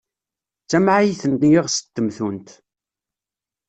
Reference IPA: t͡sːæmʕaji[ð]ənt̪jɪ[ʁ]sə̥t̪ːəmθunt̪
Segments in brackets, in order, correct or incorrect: incorrect, correct

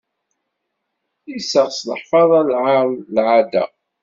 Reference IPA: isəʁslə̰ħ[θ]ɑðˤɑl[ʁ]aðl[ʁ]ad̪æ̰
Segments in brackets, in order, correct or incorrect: incorrect, incorrect, incorrect

